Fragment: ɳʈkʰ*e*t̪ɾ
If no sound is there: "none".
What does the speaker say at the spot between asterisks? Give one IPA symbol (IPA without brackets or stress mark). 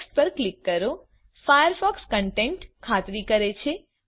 a